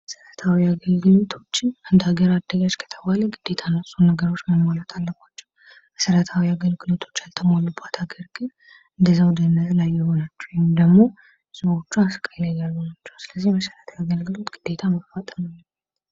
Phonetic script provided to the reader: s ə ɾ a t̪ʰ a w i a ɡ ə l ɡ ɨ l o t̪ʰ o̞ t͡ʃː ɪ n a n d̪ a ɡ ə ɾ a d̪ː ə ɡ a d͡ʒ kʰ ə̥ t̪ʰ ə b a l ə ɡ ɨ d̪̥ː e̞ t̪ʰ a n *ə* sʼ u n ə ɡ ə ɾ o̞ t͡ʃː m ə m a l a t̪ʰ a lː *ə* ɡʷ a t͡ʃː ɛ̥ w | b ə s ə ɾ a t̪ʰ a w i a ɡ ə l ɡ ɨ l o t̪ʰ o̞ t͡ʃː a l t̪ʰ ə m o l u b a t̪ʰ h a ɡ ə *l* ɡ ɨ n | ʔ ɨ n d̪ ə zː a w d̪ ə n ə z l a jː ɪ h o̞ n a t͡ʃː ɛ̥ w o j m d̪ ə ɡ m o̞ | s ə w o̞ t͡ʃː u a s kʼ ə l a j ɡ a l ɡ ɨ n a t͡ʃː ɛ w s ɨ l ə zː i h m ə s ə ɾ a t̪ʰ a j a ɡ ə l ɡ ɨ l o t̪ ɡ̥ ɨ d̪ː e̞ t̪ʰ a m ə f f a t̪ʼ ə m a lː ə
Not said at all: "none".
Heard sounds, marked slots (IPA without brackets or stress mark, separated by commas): ə, ə, ɾ